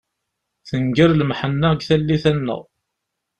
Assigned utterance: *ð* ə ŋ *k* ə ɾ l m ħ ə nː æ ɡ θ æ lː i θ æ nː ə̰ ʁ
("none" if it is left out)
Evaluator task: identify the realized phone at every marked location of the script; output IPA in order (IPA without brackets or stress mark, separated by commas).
θ, ɡ